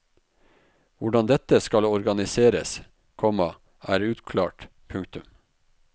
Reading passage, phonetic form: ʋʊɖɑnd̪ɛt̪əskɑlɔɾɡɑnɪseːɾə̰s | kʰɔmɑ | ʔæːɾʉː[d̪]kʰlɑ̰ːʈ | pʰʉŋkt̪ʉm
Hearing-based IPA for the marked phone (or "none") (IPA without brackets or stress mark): t̪